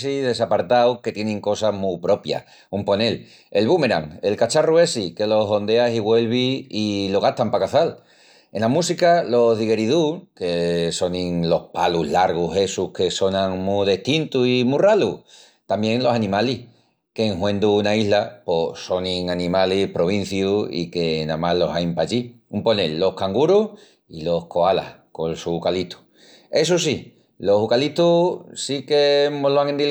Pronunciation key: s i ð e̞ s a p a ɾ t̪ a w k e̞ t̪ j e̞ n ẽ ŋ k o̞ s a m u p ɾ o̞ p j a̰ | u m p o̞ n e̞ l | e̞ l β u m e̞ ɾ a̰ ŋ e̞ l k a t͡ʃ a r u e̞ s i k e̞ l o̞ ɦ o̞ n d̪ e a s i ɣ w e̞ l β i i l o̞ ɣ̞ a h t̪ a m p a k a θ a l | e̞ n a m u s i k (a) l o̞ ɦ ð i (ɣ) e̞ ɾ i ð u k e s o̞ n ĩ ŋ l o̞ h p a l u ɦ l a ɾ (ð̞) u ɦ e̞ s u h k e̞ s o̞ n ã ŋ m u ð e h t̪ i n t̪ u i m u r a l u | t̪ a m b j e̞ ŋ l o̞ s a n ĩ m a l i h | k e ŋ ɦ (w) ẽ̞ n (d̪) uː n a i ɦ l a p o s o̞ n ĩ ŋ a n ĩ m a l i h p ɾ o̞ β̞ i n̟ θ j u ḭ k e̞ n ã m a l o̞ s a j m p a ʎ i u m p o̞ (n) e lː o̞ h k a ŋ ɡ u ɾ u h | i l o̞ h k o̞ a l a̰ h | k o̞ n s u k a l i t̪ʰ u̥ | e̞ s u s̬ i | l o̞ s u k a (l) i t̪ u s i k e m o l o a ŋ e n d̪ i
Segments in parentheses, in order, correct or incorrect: correct, correct, incorrect, correct, correct, correct, correct

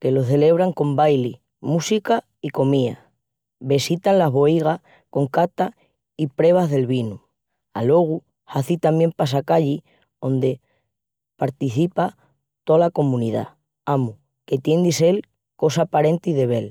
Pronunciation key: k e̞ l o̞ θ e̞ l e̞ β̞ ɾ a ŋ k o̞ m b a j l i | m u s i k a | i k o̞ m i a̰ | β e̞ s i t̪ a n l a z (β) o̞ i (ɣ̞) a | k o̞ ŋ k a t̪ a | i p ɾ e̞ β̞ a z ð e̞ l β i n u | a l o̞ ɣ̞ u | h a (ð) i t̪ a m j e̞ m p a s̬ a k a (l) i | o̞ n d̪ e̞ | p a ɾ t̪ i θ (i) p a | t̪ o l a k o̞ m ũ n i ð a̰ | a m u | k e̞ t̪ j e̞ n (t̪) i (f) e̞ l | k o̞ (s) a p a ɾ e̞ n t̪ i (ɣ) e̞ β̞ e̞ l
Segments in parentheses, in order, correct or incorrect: correct, correct, incorrect, incorrect, correct, incorrect, incorrect, correct, incorrect

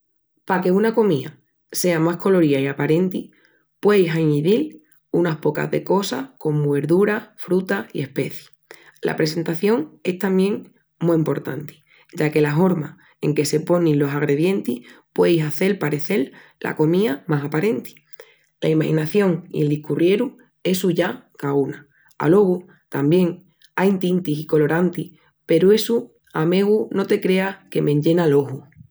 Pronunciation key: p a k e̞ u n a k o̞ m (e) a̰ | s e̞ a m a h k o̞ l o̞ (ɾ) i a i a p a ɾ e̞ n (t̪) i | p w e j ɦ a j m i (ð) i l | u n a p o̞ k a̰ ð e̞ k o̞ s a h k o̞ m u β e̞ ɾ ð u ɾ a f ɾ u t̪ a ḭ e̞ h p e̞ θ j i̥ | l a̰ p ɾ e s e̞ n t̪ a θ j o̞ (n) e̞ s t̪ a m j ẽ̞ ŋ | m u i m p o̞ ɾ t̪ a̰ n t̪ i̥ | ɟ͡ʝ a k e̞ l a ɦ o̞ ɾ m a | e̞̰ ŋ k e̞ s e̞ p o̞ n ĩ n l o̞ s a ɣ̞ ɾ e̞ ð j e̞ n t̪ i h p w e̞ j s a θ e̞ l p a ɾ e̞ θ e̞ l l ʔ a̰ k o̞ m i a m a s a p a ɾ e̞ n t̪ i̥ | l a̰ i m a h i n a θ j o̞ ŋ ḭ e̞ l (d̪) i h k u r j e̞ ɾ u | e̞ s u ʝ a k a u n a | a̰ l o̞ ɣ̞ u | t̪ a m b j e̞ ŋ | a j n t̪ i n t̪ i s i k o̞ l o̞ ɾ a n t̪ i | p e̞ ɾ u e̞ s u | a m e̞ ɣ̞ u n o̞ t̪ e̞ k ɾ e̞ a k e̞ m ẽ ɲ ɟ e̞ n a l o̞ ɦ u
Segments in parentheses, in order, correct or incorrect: incorrect, correct, correct, correct, incorrect, correct

